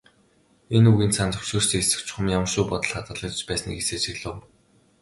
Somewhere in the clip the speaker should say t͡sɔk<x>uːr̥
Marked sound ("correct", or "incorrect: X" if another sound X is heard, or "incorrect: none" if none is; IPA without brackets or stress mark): incorrect: ʃ